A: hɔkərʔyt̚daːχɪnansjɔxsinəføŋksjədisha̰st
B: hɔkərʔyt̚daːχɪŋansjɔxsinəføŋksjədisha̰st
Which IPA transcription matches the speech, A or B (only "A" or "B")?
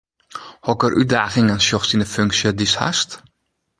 B